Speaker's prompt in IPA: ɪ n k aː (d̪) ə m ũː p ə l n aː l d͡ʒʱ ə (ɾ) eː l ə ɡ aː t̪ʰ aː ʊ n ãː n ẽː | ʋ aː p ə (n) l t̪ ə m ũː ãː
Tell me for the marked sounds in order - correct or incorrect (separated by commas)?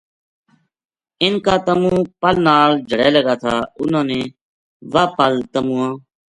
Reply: incorrect, incorrect, incorrect